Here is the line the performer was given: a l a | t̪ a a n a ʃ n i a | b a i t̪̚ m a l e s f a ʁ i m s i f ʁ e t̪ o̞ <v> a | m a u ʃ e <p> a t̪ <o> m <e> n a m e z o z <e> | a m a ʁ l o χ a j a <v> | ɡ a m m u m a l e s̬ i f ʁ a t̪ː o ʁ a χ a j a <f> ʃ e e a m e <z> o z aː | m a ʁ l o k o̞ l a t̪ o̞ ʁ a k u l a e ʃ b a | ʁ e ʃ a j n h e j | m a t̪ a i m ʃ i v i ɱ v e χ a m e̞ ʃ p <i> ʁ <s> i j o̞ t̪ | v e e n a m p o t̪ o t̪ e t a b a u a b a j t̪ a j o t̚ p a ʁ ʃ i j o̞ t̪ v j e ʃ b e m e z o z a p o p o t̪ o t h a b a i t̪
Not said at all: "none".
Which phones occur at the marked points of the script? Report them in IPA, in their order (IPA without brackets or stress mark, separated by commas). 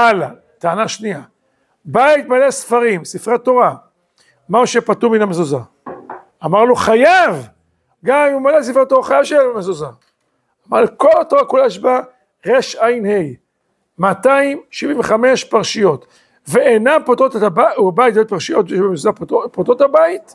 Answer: ʁ, p, u, i, a, v, v, z, a, ʃ